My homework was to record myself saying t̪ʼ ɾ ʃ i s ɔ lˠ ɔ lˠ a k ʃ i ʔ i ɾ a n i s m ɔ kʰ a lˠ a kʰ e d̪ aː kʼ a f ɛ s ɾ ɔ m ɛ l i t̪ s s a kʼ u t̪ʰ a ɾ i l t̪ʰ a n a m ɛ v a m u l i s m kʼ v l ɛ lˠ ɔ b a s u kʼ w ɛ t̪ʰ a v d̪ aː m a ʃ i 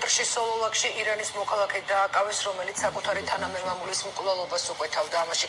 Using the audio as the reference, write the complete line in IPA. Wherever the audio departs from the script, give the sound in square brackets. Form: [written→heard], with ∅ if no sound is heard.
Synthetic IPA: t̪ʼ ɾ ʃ i s ɔ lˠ ɔ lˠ a k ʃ i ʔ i ɾ a n i s m ɔ kʰ a lˠ a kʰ [e→ɛ] d̪ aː kʼ a [f→v] ɛ s ɾ ɔ m ɛ l i t̪ s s a kʼ u t̪ʰ a ɾ i [l→∅] t̪ʰ a n a m ɛ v a m u l i s m kʼ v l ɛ lˠ ɔ b a s u kʼ w ɛ t̪ʰ a v d̪ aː m a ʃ i